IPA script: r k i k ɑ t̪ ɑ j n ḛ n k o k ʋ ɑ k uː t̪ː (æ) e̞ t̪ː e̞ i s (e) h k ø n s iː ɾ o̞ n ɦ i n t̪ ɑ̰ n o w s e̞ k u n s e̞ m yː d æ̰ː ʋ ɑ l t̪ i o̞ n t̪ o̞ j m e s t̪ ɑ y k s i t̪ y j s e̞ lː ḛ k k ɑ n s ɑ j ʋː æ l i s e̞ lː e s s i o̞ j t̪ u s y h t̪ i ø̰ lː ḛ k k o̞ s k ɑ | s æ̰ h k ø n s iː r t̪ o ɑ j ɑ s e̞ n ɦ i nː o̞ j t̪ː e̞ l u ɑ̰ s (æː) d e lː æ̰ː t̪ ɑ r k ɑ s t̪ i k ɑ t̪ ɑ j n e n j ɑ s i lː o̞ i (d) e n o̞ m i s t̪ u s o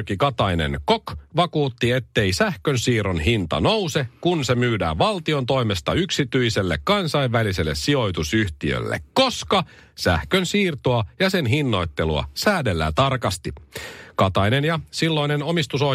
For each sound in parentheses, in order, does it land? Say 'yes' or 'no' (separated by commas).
no, no, yes, no